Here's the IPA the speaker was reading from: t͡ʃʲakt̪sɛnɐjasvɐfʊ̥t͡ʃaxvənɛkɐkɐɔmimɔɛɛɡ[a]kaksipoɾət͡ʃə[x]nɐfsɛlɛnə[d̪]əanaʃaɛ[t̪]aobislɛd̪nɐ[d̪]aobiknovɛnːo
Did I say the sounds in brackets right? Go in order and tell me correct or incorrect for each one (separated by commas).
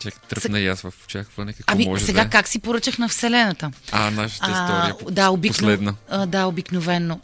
correct, correct, incorrect, incorrect, correct